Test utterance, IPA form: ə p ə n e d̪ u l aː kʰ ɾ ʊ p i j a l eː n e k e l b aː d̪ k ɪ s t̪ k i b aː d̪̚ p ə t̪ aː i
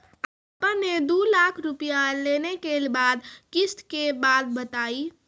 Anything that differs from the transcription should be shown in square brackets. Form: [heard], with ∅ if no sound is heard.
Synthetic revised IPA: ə p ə n e d̪ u l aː kʰ ɾ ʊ p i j a l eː n e k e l b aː d̪ k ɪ s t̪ k [e] b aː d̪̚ [b] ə t̪ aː i

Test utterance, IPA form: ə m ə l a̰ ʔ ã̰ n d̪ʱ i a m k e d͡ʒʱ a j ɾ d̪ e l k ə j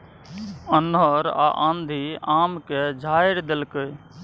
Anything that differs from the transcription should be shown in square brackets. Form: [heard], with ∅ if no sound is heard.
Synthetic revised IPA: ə [n] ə [ɾ] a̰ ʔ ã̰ n d̪ʱ i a m k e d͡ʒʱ a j ɾ d̪ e l k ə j

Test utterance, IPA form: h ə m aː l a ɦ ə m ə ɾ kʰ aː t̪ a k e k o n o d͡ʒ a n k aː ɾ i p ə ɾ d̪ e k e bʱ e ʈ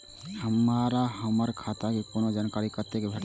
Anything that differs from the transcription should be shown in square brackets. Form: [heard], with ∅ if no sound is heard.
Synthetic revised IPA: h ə m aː [ɾ] a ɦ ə m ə ɾ kʰ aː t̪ a k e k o n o d͡ʒ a n k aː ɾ i [k] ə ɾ [t̪] e k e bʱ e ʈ

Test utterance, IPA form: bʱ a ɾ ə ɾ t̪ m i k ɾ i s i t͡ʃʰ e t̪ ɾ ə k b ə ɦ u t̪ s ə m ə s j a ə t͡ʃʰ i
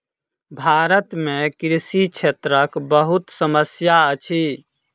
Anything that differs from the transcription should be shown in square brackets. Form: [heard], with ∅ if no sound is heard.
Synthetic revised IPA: bʱ a ɾ ə [∅] t̪ m [e] k ɾ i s i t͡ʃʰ e t̪ ɾ ə k b ə ɦ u t̪ s ə m ə s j a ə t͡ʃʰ i

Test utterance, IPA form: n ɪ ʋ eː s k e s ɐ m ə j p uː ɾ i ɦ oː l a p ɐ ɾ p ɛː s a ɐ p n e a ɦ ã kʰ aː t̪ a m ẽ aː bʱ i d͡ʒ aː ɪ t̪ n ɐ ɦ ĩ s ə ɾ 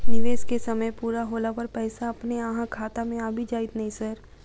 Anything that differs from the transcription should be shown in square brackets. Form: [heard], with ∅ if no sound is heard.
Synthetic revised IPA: n ɪ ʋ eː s k e s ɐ m ə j p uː ɾ [a] ɦ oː l a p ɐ ɾ p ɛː s a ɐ p n e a ɦ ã kʰ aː t̪ a m ẽ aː bʱ i d͡ʒ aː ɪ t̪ n ɐ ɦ ĩ s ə ɾ

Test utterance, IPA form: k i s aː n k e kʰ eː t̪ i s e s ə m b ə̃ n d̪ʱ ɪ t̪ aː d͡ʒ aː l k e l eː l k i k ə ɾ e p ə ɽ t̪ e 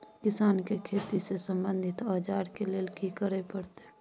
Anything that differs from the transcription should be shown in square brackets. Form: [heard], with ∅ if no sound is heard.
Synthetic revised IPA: k [ɪ] s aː n k e kʰ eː t̪ i s e s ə m b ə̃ n d̪ʱ ɪ t̪ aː d͡ʒ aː [ɾ] k e l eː l k i k ə ɾ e p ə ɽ t̪ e

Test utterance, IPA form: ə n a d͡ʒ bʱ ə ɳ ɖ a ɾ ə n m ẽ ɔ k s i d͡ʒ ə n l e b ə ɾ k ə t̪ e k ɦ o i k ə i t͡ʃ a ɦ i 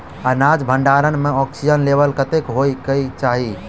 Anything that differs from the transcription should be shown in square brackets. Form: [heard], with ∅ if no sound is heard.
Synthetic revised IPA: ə n a d͡ʒ bʱ ə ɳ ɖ a ɾ ə n m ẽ ɔ k s i d͡ʒ ə n l e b ə [l] k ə t̪ e k ɦ o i k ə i t͡ʃ a ɦ i

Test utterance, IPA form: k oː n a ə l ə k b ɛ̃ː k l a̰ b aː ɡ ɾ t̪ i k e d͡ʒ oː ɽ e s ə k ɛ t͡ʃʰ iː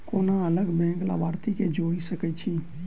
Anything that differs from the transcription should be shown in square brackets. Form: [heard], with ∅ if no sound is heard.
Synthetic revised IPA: k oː n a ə l ə [ɡ] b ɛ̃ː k l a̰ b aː [∅] ɾ t̪ i k e d͡ʒ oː ɽ [i] s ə k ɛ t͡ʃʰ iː

